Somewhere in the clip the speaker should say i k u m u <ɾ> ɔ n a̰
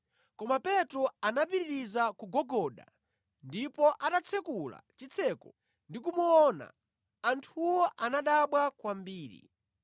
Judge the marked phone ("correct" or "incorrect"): incorrect